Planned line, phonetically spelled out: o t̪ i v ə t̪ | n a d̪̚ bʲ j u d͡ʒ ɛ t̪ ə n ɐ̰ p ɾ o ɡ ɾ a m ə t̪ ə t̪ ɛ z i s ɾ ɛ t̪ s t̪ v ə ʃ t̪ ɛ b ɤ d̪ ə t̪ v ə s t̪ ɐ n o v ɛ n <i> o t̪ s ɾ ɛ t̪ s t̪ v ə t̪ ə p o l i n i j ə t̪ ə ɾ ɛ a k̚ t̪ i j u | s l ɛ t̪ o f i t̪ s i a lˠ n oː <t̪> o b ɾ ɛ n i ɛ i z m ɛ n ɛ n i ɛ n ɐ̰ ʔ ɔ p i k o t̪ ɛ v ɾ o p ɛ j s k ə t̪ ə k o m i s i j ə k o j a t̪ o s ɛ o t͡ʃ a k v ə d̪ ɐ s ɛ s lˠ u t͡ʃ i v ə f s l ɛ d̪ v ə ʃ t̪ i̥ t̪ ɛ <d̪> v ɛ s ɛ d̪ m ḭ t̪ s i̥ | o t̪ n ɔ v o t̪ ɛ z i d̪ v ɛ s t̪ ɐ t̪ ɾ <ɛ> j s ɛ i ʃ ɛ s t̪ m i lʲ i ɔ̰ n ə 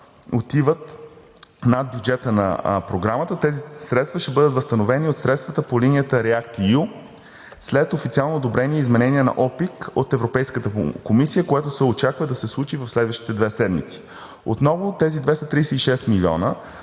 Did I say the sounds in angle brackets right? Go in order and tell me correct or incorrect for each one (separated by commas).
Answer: correct, incorrect, correct, incorrect